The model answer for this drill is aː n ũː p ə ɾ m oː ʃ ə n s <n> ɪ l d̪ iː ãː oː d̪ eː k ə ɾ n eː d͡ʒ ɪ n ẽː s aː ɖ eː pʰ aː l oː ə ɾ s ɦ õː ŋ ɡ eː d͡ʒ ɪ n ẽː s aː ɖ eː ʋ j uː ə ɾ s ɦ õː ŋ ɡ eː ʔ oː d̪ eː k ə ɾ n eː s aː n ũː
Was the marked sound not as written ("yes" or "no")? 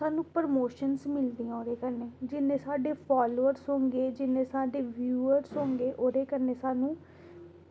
yes